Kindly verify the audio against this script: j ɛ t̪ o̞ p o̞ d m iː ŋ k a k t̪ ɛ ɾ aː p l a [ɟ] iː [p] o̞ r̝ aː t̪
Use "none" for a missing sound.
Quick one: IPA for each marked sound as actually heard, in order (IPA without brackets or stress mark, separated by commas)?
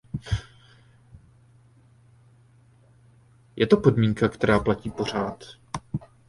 c, p